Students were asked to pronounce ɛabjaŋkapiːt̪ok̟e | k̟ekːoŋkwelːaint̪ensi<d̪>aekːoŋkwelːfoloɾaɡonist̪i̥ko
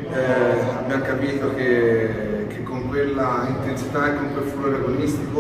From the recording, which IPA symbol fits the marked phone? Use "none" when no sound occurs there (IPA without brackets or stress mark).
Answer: t̪